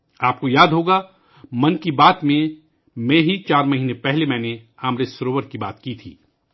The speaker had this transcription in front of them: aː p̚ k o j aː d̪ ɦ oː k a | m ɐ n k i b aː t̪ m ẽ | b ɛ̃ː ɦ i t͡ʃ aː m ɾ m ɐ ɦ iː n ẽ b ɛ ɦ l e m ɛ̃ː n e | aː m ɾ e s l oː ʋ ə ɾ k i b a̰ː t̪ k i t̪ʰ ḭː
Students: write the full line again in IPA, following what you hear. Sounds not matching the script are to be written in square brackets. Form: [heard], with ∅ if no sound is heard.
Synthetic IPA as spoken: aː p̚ k o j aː d̪ ɦ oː [ɡ] a | m ɐ n k i b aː t̪ m ẽ | [m] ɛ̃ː ɦ i t͡ʃ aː [∅] ɾ m ɐ ɦ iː n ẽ [p] ɛ ɦ l e m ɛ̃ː n e | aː m ɾ e s [ɾ] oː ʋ ə ɾ k i b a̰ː t̪ k i t̪ʰ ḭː